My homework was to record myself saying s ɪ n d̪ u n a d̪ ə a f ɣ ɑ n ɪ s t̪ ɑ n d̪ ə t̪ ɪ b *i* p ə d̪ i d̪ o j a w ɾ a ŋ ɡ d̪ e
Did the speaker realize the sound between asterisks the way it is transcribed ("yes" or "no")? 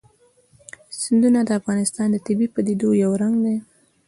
yes